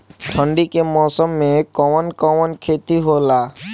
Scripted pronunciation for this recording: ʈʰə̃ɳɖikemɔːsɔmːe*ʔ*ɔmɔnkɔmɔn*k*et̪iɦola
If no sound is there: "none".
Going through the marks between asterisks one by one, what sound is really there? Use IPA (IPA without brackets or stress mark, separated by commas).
k, kʰ